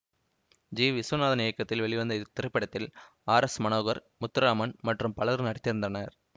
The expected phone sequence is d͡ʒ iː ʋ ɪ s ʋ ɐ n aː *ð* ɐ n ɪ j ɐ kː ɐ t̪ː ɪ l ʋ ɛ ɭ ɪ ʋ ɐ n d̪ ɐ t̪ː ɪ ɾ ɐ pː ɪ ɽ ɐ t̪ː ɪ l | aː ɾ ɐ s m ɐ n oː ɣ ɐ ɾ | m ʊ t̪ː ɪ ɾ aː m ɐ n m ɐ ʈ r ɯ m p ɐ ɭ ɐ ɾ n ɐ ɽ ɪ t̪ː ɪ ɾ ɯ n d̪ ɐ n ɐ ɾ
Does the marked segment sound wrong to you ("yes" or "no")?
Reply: no